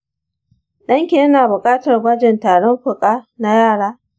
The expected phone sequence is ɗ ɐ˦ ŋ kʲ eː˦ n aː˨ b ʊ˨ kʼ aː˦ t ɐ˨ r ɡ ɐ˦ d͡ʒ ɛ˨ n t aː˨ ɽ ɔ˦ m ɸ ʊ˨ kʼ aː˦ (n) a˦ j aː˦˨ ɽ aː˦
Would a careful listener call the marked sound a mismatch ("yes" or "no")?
no